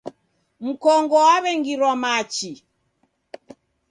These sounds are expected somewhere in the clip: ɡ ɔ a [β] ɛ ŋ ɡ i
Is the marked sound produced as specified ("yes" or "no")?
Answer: yes